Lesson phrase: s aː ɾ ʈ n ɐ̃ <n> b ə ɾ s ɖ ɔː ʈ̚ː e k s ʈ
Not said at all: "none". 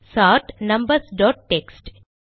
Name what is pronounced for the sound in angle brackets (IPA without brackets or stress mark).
m